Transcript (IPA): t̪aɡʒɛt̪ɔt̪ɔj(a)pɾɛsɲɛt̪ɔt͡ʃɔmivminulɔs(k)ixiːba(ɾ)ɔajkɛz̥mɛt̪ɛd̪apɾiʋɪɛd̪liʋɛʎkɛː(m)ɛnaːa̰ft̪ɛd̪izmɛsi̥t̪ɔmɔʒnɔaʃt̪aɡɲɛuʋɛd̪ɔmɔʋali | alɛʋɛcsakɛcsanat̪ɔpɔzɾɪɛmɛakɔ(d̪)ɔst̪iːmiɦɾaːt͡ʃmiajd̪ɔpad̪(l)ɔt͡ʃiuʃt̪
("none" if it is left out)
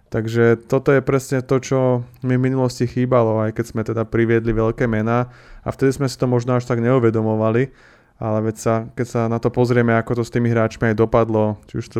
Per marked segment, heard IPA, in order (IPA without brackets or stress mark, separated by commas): ɛ, c, l, m, t̪, l